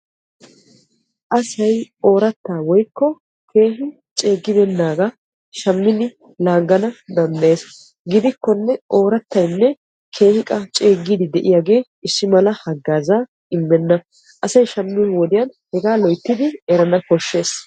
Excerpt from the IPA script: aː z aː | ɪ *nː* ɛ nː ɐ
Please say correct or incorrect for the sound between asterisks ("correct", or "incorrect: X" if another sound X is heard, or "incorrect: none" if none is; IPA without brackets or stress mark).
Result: incorrect: mː